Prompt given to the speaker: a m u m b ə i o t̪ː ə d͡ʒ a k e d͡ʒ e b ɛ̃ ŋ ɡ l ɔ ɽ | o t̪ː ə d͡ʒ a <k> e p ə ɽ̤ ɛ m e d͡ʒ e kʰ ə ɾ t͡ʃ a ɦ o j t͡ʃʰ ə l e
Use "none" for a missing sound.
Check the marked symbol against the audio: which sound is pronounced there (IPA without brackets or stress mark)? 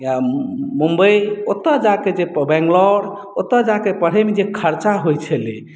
k